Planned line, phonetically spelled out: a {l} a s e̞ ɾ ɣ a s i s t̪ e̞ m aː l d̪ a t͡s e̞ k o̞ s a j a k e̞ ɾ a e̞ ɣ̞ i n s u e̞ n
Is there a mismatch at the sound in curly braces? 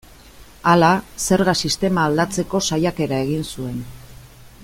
no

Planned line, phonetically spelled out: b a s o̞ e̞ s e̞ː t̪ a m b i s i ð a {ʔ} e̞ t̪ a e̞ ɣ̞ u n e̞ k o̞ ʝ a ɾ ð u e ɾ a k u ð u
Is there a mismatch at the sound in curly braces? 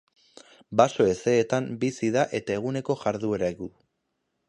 no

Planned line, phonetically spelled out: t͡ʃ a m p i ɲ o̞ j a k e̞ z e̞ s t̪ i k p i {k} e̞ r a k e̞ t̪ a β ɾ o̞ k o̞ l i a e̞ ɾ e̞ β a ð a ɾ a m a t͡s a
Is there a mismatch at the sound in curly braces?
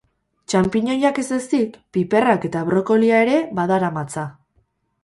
yes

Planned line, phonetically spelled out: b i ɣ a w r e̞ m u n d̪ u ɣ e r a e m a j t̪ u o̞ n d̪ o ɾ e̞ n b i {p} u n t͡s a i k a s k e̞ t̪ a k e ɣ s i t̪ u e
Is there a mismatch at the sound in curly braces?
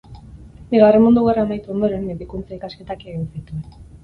yes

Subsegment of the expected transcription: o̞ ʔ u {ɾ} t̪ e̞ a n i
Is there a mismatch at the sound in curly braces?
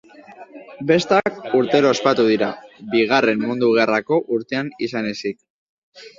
no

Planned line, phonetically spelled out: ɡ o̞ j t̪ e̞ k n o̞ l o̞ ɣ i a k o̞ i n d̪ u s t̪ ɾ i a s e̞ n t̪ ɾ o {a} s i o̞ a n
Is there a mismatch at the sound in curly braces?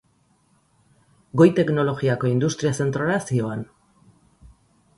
no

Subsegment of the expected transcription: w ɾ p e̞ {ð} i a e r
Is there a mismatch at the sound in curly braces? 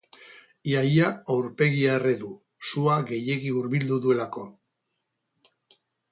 yes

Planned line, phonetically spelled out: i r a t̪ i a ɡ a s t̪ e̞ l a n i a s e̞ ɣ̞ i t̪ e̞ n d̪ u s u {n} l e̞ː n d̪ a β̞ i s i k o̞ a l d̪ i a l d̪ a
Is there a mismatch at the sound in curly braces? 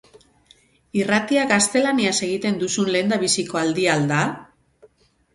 no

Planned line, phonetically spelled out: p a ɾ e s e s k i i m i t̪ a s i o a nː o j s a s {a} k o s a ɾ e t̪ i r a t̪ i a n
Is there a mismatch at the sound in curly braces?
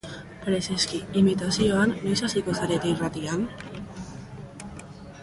yes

